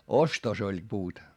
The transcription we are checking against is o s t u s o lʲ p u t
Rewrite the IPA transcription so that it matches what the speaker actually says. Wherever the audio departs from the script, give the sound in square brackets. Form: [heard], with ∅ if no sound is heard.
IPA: o s t [o] s o lʲ p [uː] t